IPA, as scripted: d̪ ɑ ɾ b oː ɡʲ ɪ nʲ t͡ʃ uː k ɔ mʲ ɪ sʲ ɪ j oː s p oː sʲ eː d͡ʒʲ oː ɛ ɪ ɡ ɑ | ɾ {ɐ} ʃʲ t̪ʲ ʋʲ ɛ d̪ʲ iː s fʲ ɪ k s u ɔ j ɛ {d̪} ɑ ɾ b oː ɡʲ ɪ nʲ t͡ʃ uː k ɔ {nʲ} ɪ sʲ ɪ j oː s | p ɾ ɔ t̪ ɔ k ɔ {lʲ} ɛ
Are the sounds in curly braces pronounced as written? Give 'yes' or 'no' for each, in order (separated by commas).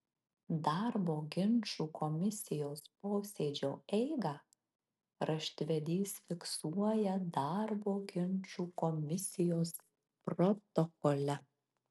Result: yes, yes, no, yes